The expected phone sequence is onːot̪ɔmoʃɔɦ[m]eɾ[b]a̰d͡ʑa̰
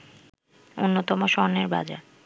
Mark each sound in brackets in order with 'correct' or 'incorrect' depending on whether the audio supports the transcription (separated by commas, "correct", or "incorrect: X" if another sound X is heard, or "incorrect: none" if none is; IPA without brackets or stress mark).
incorrect: n, correct